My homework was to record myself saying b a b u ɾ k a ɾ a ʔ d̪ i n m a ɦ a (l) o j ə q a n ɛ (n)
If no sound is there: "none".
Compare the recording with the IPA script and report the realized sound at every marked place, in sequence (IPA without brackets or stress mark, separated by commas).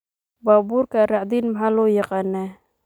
l, none